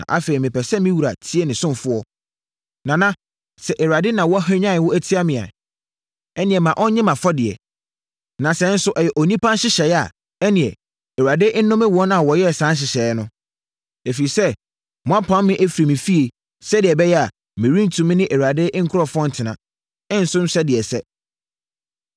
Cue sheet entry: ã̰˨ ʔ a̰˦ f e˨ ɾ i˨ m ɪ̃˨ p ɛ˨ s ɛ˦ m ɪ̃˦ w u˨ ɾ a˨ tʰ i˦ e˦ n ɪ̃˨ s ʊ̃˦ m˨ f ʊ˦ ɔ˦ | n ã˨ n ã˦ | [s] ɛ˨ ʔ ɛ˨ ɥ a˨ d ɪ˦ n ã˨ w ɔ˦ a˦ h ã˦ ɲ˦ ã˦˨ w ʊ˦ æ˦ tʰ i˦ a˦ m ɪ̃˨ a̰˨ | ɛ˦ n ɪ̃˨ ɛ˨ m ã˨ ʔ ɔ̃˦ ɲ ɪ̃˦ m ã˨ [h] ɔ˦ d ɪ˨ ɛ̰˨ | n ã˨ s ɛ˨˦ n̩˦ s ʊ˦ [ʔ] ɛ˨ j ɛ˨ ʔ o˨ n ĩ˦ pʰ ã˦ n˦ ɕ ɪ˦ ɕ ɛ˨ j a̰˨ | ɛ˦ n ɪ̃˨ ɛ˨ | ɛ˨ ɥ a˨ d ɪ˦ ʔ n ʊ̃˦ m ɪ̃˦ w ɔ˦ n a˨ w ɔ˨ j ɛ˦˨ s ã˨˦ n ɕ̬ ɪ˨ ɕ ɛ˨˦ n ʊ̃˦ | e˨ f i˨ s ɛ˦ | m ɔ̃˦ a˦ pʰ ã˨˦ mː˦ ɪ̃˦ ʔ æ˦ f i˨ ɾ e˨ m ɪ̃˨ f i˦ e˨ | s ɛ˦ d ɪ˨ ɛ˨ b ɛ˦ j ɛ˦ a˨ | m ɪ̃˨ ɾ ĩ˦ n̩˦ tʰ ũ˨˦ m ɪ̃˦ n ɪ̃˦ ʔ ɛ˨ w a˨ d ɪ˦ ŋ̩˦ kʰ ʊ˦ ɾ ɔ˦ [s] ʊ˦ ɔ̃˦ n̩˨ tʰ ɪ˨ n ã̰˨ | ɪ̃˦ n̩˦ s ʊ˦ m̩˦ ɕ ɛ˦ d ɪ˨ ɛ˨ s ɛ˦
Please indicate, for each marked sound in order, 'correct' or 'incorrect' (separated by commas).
correct, incorrect, correct, incorrect